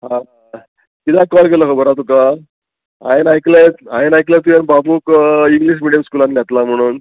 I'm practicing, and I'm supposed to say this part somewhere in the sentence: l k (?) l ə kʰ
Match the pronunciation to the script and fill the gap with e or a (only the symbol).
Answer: e